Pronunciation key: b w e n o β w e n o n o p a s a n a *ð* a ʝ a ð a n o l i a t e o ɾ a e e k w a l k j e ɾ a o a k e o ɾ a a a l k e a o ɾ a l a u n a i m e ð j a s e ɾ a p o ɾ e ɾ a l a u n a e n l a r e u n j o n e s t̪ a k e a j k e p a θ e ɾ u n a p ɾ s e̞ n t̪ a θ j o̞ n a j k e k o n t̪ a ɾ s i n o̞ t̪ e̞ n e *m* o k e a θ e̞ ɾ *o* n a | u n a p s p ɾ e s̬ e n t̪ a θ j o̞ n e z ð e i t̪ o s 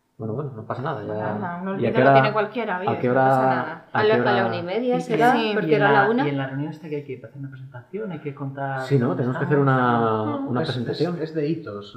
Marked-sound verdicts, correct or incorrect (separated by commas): correct, correct, incorrect